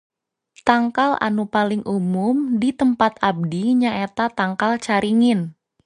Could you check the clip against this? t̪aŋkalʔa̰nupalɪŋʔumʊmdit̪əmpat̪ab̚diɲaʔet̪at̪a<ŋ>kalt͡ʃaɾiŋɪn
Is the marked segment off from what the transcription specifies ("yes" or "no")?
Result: no